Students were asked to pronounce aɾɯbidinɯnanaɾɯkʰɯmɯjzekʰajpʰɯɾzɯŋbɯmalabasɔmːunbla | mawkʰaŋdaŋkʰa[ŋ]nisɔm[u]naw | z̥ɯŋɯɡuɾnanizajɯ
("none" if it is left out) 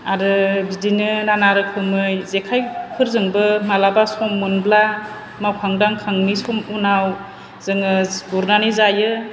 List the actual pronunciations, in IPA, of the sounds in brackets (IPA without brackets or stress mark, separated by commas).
ŋ, u